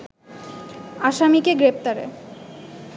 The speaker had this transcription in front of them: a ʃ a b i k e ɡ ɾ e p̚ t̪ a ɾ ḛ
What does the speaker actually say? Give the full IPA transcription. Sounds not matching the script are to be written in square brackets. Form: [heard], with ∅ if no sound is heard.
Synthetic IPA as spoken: a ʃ a [m] i k e ɡ ɾ e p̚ t̪ a ɾ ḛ